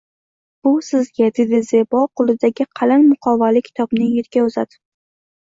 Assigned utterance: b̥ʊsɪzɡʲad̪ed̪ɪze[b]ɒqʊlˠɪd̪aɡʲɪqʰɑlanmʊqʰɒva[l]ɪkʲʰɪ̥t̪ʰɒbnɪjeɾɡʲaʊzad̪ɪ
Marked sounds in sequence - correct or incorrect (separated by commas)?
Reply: correct, correct